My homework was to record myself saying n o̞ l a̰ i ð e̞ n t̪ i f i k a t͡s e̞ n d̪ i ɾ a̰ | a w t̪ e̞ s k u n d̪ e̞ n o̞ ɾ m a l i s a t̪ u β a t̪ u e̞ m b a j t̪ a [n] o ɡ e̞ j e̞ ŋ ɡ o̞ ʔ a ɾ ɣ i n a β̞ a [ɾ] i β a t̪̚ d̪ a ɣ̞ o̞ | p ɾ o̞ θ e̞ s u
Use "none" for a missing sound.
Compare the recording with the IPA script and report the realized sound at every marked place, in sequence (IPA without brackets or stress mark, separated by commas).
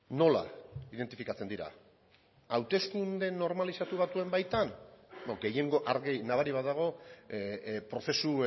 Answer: n, ɾ